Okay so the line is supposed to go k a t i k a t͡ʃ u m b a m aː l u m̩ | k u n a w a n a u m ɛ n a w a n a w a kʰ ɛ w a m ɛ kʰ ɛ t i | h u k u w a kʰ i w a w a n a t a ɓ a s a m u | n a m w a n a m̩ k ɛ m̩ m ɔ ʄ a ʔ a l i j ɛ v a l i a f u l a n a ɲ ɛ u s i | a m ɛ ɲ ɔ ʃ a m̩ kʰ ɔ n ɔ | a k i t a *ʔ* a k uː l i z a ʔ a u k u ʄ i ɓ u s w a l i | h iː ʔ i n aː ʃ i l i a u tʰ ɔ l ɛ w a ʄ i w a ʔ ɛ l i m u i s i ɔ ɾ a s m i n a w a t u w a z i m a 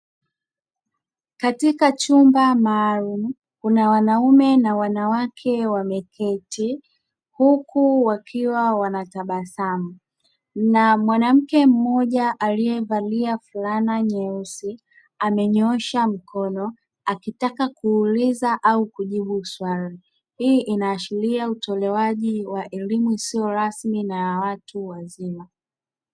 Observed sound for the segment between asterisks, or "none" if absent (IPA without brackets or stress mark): k